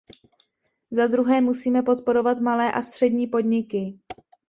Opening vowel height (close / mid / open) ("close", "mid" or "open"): open